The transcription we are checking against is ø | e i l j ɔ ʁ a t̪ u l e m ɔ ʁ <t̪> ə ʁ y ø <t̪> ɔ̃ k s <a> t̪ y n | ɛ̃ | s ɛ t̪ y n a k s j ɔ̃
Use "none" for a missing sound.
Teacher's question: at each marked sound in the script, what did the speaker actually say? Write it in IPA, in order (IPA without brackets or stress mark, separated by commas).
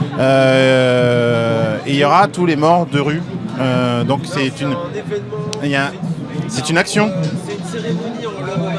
d̪, d̪, ɛ